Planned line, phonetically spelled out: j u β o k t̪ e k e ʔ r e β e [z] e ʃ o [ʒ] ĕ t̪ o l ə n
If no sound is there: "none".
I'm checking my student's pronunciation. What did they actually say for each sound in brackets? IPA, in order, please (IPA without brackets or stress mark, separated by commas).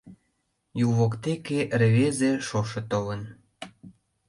z, ʃ